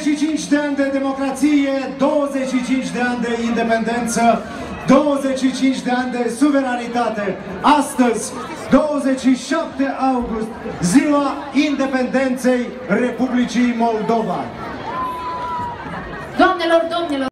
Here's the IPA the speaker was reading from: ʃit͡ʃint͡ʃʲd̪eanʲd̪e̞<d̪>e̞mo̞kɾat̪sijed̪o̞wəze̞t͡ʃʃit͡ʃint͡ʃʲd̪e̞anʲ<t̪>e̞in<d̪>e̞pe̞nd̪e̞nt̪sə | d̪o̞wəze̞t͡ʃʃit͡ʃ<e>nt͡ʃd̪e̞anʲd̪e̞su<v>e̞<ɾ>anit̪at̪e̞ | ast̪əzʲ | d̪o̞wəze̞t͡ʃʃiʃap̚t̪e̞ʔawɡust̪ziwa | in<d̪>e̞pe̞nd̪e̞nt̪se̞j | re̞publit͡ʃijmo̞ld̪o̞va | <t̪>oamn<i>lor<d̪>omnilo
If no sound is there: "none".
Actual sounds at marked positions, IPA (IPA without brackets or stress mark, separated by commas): d̪, d̪, d̪, i, v, ɾ, d̪, d̪, e, d̪